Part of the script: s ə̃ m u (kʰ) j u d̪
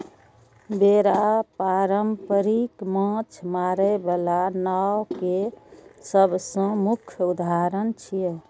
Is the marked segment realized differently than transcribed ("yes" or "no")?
no